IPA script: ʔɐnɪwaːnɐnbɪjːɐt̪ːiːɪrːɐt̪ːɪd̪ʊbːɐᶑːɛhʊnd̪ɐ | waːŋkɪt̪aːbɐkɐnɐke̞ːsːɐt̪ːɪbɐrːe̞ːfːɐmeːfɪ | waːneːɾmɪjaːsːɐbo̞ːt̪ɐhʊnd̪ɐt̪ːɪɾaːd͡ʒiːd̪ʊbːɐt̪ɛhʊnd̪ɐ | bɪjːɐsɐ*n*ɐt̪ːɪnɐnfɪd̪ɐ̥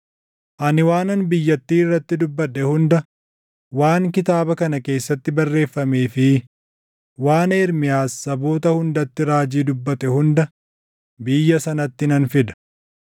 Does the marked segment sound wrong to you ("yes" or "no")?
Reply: no